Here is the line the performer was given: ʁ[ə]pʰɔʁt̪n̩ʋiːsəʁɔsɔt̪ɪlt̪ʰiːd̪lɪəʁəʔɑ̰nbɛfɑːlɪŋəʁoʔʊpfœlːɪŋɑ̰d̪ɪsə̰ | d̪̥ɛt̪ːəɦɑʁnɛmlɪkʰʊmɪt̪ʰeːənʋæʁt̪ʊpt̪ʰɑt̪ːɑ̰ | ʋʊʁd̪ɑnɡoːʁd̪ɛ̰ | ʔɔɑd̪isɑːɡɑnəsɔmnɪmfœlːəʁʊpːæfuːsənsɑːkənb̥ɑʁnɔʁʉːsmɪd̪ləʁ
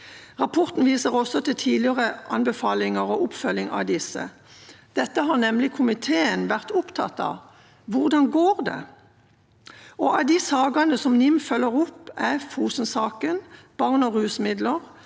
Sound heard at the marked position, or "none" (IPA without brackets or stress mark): ɑ